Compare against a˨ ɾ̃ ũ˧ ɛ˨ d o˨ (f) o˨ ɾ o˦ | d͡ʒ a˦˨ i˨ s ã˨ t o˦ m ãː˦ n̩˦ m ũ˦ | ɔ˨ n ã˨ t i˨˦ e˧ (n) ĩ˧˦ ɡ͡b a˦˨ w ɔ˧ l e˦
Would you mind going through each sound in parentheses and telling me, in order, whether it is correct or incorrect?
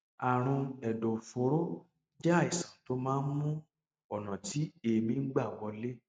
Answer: correct, incorrect

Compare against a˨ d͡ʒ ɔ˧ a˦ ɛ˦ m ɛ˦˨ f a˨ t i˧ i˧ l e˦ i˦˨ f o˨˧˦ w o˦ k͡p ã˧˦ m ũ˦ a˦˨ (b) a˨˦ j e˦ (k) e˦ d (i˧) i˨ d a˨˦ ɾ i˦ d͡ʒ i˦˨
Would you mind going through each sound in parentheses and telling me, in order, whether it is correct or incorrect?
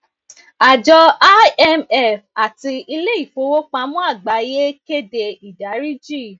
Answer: incorrect, correct, incorrect

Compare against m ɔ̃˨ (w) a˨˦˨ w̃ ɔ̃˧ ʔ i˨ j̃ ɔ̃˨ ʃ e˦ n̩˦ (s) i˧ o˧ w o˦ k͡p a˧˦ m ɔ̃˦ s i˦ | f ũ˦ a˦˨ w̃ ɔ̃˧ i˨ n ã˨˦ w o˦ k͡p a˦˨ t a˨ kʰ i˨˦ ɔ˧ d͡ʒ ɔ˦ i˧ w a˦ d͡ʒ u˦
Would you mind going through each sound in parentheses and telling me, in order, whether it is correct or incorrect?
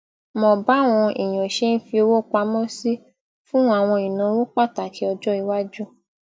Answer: incorrect, incorrect

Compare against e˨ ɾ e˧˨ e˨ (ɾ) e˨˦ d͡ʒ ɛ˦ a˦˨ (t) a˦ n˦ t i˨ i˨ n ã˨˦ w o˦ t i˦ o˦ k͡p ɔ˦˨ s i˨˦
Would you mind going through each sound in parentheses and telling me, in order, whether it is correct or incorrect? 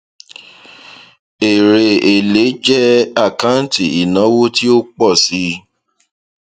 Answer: incorrect, incorrect

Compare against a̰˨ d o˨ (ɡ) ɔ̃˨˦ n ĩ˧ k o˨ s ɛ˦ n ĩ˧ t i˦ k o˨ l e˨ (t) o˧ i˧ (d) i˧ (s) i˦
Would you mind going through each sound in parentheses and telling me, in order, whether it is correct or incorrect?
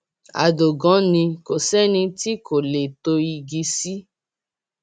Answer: correct, correct, incorrect, correct

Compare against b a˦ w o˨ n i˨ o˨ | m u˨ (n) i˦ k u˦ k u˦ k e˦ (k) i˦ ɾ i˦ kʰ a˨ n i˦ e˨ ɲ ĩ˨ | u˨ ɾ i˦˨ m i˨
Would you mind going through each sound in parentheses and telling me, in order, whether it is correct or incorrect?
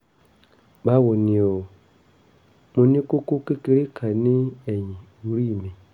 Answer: correct, correct

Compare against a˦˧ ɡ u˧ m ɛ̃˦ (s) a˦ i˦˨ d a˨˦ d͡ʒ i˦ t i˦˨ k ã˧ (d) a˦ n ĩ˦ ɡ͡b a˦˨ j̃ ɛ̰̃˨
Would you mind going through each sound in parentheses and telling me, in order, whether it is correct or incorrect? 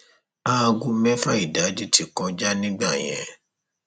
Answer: incorrect, incorrect

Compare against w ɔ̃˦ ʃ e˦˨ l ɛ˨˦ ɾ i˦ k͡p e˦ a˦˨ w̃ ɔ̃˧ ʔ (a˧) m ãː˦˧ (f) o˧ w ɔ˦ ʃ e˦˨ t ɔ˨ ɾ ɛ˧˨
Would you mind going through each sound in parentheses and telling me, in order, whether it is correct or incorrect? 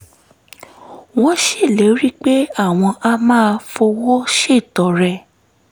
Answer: correct, correct

